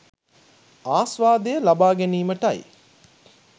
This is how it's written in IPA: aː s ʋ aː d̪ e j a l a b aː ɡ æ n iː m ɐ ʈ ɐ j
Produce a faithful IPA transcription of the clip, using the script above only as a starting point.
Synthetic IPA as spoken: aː s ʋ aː d̪ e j ə l a b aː ɡ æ n iː m ə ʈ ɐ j